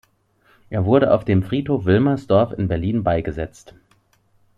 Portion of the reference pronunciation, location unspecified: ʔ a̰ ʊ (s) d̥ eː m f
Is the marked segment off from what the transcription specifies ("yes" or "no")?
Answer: yes